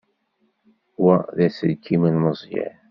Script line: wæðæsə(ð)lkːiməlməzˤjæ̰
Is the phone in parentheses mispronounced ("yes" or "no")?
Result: yes